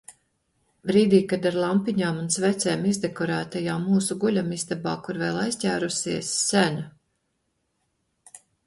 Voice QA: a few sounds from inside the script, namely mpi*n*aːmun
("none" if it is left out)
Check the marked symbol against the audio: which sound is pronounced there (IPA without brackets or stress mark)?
ɲ